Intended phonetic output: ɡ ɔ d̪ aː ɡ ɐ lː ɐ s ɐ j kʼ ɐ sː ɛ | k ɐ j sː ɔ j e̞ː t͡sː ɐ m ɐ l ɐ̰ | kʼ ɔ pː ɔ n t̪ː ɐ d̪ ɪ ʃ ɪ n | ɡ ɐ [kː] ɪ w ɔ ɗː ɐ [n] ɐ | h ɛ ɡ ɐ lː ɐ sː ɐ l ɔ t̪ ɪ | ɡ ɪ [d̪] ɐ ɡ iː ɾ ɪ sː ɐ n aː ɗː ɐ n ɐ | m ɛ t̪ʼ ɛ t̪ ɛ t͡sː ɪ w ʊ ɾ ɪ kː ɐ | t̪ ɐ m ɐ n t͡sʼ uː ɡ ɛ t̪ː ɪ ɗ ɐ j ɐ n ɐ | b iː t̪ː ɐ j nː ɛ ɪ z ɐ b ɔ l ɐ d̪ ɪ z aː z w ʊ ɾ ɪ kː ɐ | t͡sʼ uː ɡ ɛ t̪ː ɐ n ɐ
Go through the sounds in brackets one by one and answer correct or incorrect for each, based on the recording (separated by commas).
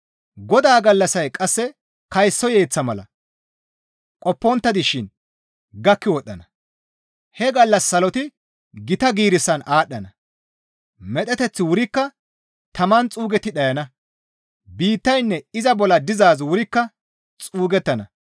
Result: correct, correct, incorrect